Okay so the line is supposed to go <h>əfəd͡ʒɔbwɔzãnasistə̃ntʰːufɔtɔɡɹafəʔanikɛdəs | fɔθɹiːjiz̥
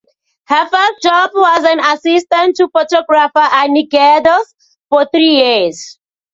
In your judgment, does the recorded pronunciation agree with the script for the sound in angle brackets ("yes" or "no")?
yes